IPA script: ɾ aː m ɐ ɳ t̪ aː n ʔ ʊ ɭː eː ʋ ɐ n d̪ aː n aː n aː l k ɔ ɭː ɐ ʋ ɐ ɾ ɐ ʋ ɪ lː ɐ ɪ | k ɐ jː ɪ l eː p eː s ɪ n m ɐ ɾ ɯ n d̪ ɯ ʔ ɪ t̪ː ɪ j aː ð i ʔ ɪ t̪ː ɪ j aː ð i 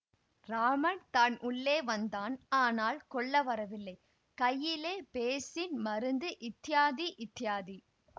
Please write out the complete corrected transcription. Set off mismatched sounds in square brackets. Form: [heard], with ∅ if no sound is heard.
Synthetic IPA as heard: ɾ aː m ɐ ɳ t̪ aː n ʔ ʊ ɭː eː ʋ ɐ n d̪ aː n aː n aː l k ɔ ɭː ɐ ʋ ɐ ɾ ɐ ʋ ɪ lː ɐ ɪ | k ɐ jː ɪ l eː p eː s ɪ n m ɐ ɾ ɯ n d̪ ɯ ʔ ɪ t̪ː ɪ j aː ð i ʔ ɪ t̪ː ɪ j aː ð i